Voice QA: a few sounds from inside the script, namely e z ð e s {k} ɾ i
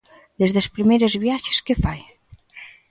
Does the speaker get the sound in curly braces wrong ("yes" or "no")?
yes